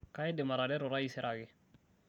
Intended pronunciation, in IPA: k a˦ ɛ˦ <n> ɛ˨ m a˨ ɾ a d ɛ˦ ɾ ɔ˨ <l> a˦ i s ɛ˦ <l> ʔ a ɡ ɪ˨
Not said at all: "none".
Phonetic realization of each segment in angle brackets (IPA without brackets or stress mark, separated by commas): d, ɾ, ɾ